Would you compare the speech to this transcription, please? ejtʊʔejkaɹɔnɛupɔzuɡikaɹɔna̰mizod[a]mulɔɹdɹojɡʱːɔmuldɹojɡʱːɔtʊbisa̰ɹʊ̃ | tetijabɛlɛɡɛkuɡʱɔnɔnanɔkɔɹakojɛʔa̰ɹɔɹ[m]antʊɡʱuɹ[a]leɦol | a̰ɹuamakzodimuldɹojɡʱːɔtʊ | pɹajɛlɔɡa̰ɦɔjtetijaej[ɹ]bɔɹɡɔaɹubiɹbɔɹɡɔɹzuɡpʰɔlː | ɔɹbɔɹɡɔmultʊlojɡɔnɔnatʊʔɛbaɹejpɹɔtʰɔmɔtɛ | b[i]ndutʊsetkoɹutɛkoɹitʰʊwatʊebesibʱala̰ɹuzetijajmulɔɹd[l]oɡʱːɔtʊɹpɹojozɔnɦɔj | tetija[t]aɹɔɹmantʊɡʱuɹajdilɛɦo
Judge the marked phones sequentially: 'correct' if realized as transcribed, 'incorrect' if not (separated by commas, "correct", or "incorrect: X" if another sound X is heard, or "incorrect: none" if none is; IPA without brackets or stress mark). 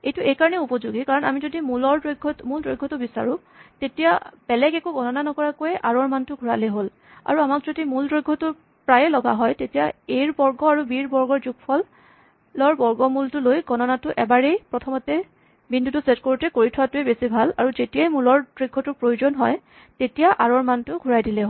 incorrect: i, correct, correct, correct, correct, incorrect: ɹ, incorrect: ʔ